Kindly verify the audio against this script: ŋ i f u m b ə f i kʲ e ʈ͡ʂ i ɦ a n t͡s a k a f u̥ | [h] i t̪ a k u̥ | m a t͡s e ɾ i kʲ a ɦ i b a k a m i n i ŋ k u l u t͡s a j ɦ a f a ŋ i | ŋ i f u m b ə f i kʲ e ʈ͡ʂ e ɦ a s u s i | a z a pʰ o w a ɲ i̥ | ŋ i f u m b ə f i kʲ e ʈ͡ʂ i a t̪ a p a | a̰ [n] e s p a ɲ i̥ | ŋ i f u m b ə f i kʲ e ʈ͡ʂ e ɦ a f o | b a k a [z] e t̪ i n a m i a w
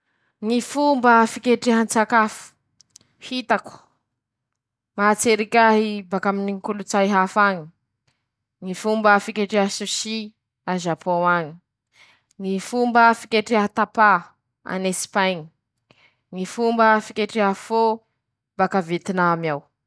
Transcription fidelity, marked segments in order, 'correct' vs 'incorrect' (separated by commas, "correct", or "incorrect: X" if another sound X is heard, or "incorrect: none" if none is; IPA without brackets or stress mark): correct, correct, incorrect: v